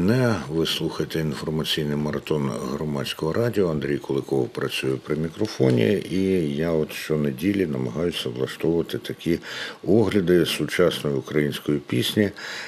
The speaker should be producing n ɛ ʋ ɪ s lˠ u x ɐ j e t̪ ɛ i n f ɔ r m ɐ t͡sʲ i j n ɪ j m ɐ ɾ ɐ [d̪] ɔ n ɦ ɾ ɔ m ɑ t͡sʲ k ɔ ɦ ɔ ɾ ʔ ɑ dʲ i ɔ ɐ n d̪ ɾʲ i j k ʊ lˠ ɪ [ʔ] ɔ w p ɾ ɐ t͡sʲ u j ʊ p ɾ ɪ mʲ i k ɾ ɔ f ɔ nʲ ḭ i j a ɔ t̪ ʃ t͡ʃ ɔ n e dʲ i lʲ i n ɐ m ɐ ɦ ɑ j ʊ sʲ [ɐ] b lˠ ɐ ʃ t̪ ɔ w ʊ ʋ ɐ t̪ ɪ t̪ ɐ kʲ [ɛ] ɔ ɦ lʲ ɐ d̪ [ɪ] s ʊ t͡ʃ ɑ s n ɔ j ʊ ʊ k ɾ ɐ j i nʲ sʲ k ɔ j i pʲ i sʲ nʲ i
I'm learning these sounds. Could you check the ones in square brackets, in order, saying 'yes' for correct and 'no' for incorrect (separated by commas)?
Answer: no, no, yes, no, yes